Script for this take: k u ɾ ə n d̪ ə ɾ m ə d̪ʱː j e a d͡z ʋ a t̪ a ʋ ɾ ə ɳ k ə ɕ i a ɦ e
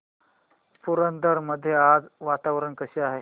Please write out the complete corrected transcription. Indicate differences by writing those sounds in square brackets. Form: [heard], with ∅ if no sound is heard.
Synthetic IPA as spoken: [p] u ɾ ə n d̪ ə ɾ m ə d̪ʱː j e a d͡z ʋ a t̪ a ʋ ɾ ə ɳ k ə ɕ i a ɦ e